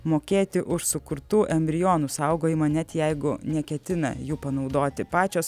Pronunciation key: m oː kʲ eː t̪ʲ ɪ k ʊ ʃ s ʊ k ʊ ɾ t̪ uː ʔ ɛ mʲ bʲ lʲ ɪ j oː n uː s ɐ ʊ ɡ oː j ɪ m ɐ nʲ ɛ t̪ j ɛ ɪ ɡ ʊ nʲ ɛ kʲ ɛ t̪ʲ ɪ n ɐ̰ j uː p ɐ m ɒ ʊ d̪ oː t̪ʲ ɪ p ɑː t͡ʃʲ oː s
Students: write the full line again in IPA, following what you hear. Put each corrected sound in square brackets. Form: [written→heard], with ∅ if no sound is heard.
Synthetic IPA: m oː kʲ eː t̪ʲ ɪ [k→ʔ] ʊ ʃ s ʊ k ʊ ɾ t̪ uː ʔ ɛ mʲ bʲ [lʲ→ɾʲ] ɪ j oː n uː s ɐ ʊ ɡ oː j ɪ m ɐ nʲ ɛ t̪ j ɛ ɪ ɡ ʊ nʲ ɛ kʲ ɛ t̪ʲ ɪ n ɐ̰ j uː p ɐ [m→n] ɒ ʊ d̪ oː t̪ʲ ɪ p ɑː t͡ʃʲ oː s